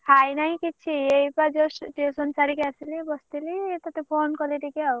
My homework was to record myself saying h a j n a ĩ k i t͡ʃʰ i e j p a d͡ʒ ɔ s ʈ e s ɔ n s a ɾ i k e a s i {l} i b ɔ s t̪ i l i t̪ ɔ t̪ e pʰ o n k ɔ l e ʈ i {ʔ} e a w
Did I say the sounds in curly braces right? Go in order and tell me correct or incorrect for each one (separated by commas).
correct, incorrect